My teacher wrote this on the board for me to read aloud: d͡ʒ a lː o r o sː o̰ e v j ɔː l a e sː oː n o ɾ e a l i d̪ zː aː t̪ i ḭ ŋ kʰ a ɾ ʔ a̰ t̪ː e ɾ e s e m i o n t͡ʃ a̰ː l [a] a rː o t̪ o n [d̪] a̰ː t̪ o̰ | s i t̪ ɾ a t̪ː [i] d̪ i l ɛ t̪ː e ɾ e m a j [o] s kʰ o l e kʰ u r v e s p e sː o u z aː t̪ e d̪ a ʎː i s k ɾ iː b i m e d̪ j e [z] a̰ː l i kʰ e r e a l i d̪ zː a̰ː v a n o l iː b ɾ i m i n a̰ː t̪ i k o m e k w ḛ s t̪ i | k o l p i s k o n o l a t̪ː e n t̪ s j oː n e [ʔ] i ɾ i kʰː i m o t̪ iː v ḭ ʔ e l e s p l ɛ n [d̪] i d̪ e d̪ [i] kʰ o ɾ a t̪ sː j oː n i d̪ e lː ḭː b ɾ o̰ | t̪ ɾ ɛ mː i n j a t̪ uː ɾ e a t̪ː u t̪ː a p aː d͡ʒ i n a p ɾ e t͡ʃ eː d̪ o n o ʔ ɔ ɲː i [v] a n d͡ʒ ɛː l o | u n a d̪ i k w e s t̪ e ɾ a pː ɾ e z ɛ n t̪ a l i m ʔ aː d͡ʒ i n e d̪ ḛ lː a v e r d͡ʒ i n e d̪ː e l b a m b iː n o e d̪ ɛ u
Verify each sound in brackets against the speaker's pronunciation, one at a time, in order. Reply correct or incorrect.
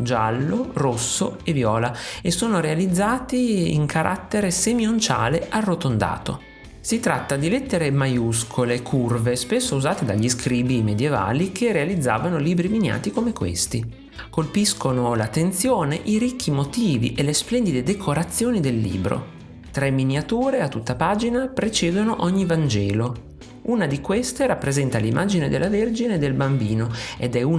incorrect: e, correct, incorrect: a, incorrect: u, incorrect: v, correct, correct, incorrect: e, correct

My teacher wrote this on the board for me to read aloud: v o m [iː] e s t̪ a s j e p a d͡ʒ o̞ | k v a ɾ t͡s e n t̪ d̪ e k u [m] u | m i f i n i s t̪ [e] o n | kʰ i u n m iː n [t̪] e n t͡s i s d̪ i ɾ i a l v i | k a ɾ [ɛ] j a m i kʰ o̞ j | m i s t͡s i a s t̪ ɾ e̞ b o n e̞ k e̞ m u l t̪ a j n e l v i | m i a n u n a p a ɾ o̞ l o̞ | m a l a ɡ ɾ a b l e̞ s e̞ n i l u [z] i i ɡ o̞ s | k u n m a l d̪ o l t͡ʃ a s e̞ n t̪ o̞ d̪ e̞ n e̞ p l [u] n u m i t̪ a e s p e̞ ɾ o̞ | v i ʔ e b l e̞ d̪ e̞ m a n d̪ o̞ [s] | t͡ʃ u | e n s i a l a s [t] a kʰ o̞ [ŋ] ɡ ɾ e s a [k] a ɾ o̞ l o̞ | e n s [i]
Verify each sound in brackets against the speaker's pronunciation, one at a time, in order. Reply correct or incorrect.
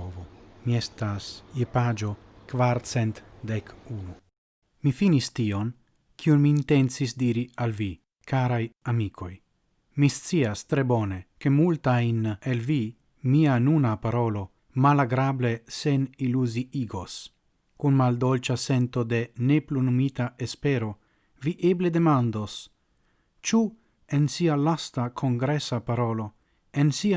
incorrect: i, incorrect: n, incorrect: i, correct, incorrect: a, correct, correct, correct, correct, correct, incorrect: p, correct

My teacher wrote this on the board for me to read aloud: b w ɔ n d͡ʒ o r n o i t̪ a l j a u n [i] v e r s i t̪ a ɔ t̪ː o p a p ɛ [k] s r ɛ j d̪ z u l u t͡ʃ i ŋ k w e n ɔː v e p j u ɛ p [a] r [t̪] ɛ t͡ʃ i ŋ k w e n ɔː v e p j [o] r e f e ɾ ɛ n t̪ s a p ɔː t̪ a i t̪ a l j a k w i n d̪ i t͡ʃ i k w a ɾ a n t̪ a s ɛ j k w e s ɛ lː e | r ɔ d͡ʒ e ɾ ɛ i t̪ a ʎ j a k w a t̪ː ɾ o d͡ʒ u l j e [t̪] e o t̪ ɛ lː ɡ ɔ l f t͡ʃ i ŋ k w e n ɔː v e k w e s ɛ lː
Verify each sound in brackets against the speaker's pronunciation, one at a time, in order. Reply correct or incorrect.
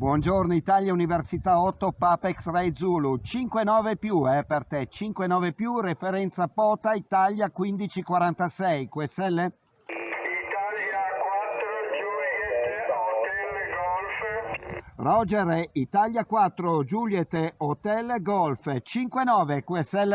correct, correct, incorrect: e, correct, incorrect: u, correct

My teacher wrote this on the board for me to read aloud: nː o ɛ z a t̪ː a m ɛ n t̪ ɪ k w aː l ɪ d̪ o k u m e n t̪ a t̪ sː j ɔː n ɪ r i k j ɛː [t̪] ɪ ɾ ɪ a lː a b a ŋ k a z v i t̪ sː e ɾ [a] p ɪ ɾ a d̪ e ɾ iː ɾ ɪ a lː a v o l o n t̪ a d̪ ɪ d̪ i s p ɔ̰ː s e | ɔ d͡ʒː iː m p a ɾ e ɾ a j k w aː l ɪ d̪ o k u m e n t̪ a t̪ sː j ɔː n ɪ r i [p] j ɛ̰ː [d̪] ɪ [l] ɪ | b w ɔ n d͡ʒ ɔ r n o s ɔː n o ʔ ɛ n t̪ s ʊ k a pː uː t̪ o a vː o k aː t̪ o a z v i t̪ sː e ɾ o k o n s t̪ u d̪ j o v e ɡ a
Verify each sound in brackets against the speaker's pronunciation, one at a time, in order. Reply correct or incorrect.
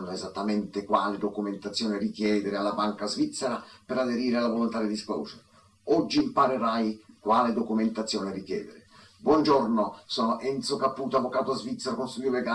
incorrect: d̪, correct, incorrect: k, correct, incorrect: ɾ

